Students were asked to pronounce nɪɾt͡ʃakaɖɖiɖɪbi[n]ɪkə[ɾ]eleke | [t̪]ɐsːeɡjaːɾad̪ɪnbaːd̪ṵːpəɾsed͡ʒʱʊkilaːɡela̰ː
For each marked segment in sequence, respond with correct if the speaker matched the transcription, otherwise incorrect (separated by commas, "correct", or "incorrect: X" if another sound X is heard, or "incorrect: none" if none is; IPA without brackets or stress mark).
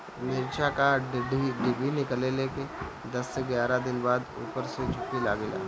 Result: correct, incorrect: l, incorrect: d̪